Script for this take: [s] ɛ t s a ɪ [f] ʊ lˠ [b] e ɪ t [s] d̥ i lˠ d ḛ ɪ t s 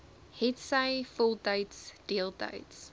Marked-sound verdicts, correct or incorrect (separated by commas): incorrect, correct, incorrect, correct